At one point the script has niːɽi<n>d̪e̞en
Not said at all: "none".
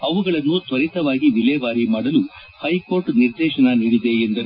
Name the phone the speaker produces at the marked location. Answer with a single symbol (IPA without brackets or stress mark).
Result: none